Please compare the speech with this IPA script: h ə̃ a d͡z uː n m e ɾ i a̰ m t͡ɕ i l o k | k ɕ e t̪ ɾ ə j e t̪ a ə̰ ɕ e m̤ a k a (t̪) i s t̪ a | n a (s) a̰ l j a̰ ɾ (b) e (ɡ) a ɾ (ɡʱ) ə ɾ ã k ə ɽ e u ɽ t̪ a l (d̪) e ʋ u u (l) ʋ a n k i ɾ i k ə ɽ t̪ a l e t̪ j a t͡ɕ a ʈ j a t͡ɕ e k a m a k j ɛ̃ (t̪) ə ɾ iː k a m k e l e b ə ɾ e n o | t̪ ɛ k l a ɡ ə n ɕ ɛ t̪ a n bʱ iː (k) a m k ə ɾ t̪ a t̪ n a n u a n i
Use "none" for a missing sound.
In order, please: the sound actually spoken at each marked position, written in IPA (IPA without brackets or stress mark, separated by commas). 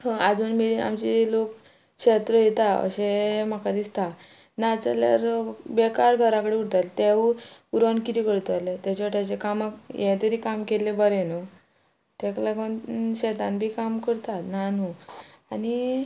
d̪, t͡s, b, k, ɡʱ, t̪, ɾ, t̪, k